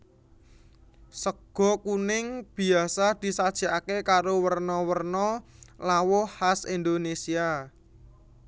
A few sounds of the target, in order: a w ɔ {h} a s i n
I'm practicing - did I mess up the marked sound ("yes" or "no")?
no